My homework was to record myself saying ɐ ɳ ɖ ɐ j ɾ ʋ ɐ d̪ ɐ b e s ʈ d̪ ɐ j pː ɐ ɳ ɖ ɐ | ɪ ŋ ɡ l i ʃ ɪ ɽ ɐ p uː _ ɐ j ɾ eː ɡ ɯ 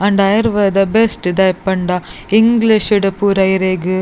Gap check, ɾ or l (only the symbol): ɾ